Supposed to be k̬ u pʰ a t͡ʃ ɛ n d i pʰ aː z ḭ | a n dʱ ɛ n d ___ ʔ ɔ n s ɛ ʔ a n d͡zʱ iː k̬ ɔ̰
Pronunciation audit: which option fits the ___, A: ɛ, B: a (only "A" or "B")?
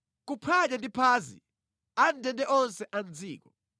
A